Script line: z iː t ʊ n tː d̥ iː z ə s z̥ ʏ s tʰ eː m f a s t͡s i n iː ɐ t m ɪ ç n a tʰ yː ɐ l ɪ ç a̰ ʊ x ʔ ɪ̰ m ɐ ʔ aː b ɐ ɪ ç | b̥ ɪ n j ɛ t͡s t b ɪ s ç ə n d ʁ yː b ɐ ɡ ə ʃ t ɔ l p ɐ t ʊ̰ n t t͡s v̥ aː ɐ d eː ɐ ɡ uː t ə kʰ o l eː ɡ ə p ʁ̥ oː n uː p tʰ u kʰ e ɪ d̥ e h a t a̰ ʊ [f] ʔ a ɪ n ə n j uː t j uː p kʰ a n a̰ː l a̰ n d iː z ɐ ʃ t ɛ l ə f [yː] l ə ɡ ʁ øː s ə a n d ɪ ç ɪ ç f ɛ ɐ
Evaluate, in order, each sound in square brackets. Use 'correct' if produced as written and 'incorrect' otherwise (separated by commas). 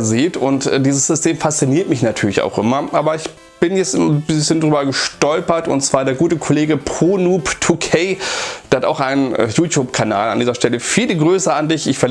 incorrect, incorrect